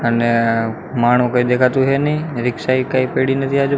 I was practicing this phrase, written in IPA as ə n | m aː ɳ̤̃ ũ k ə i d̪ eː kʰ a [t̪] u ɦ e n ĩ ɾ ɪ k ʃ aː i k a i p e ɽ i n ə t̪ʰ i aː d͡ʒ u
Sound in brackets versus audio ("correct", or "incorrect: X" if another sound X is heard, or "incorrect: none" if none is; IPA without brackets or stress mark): correct